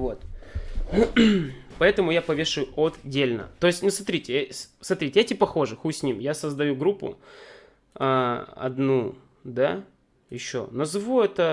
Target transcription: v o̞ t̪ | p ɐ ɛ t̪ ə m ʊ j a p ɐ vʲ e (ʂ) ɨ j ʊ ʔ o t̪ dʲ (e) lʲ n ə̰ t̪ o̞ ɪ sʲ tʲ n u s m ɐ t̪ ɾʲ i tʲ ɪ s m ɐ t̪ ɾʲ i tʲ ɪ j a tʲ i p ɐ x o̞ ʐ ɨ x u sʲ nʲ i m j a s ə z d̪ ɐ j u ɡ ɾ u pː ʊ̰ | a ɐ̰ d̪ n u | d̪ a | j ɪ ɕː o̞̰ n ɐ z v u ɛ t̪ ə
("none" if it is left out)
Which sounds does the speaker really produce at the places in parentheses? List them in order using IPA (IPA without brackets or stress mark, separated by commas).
ʂ, e